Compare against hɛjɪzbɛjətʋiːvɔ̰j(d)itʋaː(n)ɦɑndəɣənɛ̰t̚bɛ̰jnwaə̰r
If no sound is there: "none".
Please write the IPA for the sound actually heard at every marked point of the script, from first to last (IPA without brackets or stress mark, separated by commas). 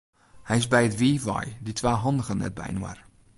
d, none